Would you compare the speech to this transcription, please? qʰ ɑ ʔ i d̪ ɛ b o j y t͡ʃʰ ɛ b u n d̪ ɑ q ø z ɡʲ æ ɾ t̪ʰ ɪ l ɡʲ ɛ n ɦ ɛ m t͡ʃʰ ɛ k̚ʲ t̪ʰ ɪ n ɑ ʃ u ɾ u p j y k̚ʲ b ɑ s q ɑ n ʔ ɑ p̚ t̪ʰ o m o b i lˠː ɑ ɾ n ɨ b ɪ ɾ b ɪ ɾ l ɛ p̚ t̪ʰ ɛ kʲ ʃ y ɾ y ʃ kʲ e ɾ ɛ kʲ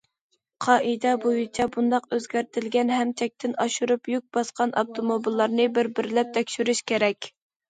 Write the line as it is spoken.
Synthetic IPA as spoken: qʰ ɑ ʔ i d̪ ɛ b o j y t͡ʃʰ ɛ b u n d̪ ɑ q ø z ɡʲ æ ɾ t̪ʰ ɪ l ɡʲ ɛ n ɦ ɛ m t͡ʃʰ ɛ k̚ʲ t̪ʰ ɪ n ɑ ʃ u ɾ u p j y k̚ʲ b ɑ s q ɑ n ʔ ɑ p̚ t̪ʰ o m o b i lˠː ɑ ɾ n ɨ b ɪ ɾ b ɪ ɾ l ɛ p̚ t̪ʰ ɛ kʲ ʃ y ɾ y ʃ kʲ e ɾ ɛ kʲ